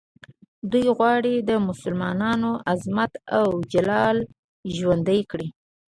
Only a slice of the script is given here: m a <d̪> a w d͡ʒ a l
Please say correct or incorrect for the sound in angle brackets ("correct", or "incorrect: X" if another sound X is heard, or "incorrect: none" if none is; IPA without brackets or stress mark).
incorrect: t̪